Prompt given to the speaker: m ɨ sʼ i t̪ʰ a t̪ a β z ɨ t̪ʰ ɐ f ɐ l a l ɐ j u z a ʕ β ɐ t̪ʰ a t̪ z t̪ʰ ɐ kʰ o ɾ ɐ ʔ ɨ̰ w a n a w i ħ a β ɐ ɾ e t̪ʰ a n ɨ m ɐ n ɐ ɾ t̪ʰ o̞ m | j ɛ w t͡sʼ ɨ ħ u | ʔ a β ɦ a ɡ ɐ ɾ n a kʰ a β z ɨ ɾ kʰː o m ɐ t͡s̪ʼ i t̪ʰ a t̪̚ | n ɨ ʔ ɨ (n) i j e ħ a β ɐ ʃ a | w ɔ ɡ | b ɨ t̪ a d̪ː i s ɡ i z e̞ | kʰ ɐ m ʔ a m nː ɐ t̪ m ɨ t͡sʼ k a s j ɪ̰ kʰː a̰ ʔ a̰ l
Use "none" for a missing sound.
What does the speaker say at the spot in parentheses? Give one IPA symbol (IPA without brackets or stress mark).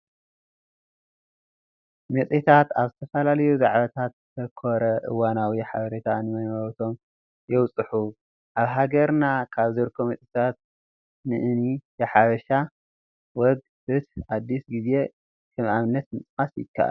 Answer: n